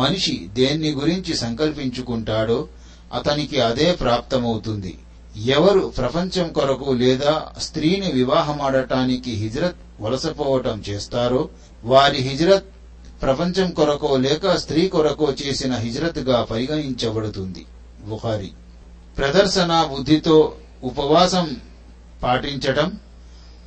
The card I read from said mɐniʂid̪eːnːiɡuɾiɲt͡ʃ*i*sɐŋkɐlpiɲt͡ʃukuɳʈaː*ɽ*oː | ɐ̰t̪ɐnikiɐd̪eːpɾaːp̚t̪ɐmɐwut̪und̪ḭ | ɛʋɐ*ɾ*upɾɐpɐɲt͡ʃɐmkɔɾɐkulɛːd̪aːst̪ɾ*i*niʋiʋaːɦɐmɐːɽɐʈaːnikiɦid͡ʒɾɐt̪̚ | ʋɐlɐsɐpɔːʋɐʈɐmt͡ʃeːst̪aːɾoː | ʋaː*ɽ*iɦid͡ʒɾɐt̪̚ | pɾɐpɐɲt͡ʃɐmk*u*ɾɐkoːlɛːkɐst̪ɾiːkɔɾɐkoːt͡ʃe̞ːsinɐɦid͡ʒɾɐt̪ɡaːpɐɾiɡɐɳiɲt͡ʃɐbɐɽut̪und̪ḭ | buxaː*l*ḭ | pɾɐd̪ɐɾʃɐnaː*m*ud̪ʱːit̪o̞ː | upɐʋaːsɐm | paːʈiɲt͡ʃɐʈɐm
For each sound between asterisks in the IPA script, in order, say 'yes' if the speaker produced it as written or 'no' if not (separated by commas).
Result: yes, yes, yes, no, no, no, no, no